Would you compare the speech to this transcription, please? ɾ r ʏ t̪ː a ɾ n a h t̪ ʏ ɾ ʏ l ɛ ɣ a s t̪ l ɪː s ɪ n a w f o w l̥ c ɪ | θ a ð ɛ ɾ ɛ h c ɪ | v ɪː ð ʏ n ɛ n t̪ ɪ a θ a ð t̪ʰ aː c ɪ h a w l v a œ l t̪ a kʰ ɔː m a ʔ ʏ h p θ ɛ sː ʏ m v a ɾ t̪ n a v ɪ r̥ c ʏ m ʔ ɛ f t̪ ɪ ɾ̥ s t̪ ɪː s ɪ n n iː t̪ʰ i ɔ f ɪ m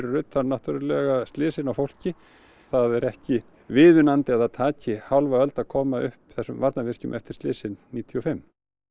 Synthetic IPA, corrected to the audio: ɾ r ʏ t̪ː a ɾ n a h t̪ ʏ ɾ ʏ l ɛ ɣ a s t̪ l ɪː s ɪ n a w f o w l̥ c ɪ | θ a ð ɛ ɾ ɛ h c ɪ | v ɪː ð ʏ n a n t̪ ɪ a ð a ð t̪ʰ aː c ɪ h a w l v a œ l t̪ a kʰ ɔː m a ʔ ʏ h p θ ɛ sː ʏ m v a ɾ t̪ n a v ɪ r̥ c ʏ m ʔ ɛ f t̪ ɪ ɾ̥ s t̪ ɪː s ɪ n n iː t̪ʰ i ɔ f ɪ m